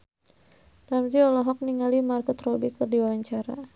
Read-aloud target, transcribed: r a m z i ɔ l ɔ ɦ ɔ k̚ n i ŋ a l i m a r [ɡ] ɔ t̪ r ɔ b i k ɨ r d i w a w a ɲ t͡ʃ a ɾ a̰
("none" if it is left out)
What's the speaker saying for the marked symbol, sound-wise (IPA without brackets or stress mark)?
k